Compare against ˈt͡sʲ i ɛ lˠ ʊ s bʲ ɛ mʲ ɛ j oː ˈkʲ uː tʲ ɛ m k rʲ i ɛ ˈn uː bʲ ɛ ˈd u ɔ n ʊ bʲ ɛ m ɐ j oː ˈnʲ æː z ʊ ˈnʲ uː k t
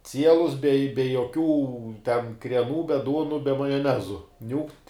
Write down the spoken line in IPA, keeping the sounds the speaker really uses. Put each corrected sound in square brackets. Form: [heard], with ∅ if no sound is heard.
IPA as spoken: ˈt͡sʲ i ɛ lˠ ʊ s bʲ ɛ [bʲ] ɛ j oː ˈkʲ uː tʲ ɛ [n] k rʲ i ɛ ˈn uː bʲ ɛ ˈd u ɔ n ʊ bʲ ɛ m ɐ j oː ˈnʲ æː z ʊ ˈnʲ uː k t